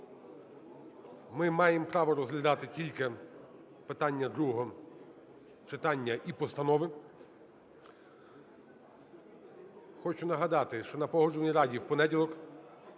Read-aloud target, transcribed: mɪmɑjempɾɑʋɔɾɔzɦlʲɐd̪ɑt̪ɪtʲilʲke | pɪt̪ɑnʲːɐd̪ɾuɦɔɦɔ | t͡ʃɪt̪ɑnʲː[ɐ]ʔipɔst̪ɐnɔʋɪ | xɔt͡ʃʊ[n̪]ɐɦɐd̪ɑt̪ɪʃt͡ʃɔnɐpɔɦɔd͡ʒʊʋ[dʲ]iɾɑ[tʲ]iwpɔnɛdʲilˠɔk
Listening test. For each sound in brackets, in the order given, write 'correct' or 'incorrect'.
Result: correct, correct, incorrect: nʲ, incorrect: dʲ

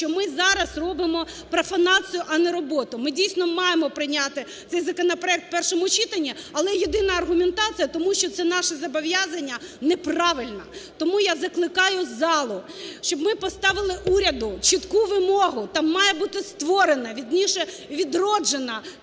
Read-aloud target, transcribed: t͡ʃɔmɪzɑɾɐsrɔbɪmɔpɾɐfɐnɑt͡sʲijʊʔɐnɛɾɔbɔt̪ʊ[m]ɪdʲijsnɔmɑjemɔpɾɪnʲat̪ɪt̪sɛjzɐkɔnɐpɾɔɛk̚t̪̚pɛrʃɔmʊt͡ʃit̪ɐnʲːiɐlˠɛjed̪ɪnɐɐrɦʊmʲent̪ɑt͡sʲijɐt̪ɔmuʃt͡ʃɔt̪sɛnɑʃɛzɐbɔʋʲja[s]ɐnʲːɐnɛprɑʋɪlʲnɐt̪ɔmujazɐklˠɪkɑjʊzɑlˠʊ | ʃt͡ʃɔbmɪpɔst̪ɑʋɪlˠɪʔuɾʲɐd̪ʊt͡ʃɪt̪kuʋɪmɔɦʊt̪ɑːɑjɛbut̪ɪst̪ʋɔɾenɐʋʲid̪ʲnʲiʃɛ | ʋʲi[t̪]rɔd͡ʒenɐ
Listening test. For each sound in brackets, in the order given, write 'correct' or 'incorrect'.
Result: correct, incorrect: z, incorrect: d̪

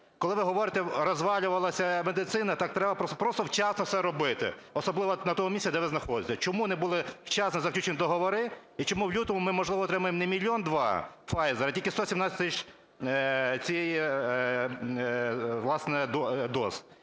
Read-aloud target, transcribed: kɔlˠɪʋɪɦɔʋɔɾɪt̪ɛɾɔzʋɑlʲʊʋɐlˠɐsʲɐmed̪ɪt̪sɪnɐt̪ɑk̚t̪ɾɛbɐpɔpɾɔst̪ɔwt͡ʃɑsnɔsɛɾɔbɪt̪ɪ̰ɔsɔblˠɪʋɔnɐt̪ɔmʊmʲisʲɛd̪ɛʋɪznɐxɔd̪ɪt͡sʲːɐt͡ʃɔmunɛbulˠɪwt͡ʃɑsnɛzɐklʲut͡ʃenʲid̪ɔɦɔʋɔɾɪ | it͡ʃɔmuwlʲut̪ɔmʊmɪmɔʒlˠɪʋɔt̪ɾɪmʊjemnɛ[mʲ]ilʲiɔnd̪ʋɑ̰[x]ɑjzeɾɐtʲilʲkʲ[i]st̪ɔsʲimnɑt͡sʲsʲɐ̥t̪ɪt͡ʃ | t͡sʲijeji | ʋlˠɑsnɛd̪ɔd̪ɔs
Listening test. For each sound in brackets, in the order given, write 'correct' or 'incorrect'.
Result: correct, incorrect: f, incorrect: ɪ

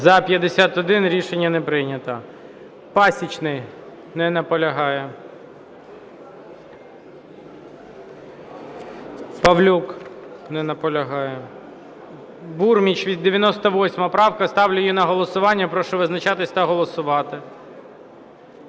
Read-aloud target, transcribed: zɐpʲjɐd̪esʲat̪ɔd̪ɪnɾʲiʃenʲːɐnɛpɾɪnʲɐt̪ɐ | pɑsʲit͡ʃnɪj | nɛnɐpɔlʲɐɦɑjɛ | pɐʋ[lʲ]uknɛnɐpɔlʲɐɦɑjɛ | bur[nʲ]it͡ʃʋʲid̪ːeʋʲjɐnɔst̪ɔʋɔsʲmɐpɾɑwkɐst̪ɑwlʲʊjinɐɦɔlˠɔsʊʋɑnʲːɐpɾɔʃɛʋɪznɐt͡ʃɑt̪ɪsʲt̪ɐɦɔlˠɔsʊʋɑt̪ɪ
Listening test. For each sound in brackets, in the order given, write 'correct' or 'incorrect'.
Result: correct, incorrect: mʲ

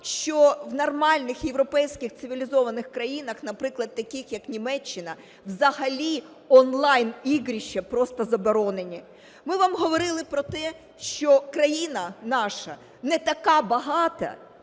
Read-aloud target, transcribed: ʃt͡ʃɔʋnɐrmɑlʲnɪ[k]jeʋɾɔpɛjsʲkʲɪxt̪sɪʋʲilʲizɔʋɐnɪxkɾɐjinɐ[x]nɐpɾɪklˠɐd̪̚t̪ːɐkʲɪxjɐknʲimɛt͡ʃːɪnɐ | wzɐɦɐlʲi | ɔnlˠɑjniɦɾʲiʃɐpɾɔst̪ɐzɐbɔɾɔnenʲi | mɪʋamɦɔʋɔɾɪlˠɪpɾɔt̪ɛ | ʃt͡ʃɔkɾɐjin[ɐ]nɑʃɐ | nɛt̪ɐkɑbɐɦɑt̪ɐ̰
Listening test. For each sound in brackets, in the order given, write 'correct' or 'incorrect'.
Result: incorrect: x, correct, correct

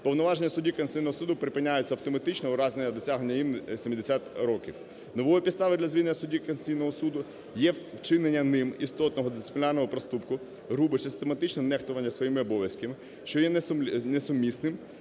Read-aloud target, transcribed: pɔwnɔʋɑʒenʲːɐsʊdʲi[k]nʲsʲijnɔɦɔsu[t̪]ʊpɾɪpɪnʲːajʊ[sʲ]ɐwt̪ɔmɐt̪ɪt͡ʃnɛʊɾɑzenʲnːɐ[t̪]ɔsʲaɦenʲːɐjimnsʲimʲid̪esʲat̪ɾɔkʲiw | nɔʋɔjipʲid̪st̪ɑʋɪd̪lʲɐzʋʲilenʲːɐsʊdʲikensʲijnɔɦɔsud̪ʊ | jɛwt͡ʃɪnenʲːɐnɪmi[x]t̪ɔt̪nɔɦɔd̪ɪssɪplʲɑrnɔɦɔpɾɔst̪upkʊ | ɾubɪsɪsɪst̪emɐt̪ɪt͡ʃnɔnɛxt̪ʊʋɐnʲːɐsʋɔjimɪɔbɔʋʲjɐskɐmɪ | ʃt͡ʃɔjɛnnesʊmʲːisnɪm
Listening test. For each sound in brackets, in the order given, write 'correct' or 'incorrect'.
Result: correct, incorrect: d̪, incorrect: t͡sʲ, incorrect: d̪, incorrect: s

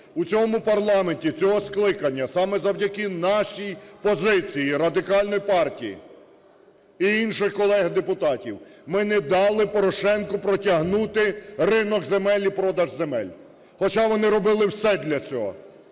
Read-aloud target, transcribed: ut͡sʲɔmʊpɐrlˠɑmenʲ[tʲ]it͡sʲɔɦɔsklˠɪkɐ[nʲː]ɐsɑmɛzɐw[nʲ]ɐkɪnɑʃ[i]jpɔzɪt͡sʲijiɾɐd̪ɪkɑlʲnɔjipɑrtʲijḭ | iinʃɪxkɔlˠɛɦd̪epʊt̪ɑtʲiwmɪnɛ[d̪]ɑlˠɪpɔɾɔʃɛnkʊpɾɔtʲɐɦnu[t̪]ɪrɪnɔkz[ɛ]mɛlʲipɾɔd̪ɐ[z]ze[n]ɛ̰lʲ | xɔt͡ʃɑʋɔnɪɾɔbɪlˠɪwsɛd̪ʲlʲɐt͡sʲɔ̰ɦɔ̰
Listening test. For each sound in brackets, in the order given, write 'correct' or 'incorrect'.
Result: correct, correct, incorrect: dʲ, correct, correct, correct, incorrect: e, incorrect: ʒ, incorrect: m

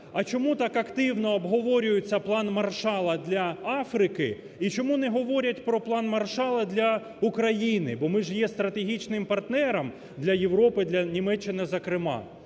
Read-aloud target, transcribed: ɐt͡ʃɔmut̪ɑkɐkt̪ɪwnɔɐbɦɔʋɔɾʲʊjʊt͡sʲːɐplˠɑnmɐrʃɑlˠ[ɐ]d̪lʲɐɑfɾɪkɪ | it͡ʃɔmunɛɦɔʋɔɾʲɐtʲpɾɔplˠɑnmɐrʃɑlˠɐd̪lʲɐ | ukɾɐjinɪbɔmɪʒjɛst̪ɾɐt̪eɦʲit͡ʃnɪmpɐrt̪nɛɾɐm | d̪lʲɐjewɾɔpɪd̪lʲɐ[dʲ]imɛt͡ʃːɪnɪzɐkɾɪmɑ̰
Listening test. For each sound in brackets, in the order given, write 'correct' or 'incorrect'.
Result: correct, incorrect: nʲ

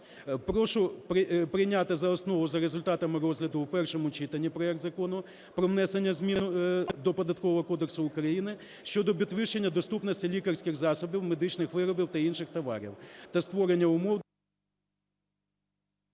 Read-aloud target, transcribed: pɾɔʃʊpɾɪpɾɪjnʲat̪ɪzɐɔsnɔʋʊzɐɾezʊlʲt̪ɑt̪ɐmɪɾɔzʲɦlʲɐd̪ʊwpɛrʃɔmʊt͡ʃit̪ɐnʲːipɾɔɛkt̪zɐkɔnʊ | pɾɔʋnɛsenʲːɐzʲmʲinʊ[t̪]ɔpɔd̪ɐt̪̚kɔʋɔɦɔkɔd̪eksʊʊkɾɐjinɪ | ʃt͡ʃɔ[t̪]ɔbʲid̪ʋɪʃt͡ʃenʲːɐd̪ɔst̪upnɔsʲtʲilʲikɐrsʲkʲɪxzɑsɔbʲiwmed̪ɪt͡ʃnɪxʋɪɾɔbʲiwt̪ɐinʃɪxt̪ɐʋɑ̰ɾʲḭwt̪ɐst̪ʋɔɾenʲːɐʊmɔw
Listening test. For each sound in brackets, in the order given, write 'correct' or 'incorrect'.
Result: incorrect: d̪, incorrect: d̪

